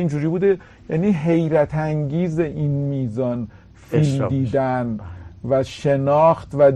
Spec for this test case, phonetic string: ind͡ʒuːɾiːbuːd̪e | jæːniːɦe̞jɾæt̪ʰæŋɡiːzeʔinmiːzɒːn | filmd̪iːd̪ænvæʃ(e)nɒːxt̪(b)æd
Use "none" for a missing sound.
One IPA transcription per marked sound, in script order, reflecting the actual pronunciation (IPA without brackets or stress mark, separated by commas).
e, v